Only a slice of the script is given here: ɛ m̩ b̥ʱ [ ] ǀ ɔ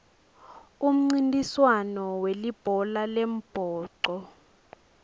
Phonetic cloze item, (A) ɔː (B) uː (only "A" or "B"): A